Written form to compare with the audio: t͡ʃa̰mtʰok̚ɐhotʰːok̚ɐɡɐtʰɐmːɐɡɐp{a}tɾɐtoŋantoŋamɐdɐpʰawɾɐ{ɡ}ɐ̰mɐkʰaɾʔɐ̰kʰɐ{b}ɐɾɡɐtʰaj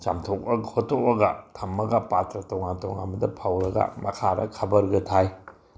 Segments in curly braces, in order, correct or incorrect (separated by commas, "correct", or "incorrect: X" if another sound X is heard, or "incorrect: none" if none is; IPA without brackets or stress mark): correct, correct, correct